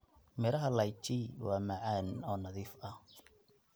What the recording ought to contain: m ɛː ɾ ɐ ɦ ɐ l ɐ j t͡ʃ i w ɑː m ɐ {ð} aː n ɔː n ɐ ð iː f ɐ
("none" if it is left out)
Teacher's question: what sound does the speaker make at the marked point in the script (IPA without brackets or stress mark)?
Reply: ʕ